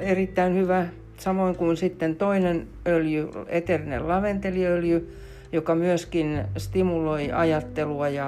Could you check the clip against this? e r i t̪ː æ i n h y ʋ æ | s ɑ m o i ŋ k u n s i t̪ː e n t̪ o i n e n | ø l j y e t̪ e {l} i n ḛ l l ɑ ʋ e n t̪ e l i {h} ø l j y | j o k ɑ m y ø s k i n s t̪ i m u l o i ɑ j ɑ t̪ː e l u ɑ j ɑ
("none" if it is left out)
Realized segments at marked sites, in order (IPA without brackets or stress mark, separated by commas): r, none